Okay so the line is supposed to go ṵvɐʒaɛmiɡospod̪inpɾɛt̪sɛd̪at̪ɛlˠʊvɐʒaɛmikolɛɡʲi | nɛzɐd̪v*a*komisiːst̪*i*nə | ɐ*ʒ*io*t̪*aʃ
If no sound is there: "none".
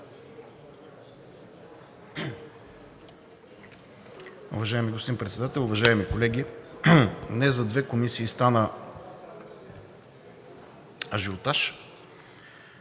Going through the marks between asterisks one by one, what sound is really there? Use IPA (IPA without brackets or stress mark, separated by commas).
ɛ, a, ʒ, t̪